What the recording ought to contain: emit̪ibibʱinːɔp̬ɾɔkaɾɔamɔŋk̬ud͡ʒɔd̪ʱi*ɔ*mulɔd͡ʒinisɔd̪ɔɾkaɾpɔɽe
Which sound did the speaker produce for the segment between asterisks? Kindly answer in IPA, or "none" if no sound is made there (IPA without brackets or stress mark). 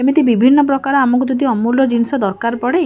ɔ